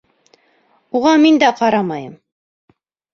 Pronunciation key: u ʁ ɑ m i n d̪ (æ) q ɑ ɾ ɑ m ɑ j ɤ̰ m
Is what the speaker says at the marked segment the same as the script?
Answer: yes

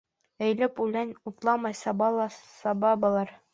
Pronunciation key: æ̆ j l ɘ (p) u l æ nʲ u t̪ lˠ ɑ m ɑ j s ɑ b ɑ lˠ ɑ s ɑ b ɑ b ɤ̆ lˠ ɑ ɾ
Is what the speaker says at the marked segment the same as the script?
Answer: yes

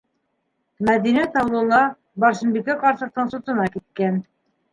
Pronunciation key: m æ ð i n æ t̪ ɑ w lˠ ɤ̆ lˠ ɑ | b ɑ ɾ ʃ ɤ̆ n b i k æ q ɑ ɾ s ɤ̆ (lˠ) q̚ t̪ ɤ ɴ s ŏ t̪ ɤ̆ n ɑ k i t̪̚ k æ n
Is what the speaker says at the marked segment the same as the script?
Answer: no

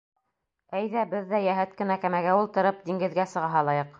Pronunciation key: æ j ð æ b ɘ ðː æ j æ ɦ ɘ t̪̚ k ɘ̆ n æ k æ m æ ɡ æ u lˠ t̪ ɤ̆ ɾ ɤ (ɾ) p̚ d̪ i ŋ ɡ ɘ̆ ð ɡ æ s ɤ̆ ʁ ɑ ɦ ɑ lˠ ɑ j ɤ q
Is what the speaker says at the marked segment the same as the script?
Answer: no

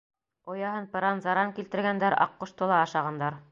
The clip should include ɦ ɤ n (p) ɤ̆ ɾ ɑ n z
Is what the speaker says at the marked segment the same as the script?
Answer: yes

